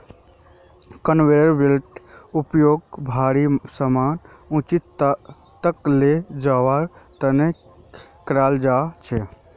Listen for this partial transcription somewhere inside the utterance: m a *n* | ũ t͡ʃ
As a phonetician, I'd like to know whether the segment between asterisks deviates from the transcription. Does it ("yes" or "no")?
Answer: no